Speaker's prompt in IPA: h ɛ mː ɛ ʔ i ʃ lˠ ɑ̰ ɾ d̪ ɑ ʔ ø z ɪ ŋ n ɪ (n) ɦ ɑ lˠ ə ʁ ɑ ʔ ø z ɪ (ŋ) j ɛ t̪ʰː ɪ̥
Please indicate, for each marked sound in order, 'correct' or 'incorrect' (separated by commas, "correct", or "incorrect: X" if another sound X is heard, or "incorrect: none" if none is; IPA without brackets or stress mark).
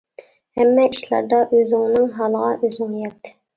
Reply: incorrect: ŋ, correct